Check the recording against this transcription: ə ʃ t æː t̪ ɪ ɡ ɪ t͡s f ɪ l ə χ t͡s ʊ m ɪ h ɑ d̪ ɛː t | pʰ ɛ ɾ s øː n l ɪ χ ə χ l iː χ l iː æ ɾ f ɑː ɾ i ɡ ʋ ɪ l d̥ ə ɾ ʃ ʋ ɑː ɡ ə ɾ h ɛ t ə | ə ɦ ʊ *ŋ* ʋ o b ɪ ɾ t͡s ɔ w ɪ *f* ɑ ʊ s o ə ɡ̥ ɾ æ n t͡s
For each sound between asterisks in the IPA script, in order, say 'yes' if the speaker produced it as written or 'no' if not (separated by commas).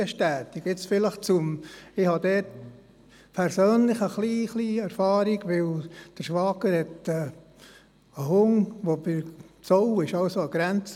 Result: yes, no